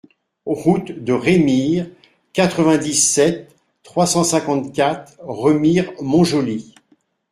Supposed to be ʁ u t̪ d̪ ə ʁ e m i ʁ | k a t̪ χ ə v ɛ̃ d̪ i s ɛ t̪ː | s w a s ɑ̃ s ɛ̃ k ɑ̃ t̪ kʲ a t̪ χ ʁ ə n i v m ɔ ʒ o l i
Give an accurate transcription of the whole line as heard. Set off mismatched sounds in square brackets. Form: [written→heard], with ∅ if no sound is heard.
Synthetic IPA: ʁ u t̪ d̪ ə ʁ e m i ʁ | k a t̪ χ ə v ɛ̃ d̪ i s ɛ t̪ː | [s→χ] w a s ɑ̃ s ɛ̃ k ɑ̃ t̪ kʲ a t̪ χ ʁ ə [n→m] i [v→ʁ] m [ɔ→ɔ̃] ʒ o l i